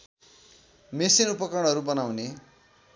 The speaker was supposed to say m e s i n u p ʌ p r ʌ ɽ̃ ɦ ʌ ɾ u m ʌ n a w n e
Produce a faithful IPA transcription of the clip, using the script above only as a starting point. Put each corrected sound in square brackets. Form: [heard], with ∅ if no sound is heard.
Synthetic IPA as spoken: m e s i n u p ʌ [k] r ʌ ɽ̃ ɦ ʌ ɾ u [b] ʌ n a w n e